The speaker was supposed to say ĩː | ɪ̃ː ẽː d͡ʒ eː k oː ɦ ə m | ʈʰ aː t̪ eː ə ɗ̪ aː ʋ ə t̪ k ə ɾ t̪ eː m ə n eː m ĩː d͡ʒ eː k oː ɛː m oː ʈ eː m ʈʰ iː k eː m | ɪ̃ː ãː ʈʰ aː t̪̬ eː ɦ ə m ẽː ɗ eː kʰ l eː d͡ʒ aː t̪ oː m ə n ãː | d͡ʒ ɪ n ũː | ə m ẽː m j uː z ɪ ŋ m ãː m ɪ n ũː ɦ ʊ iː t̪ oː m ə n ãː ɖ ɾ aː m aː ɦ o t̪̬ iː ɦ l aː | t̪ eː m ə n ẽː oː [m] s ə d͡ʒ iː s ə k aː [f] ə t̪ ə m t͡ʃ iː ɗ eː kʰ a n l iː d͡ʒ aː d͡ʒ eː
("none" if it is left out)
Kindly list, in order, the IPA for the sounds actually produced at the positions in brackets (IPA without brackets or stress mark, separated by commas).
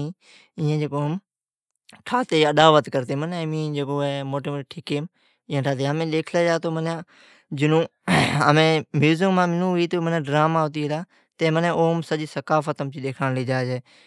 m, f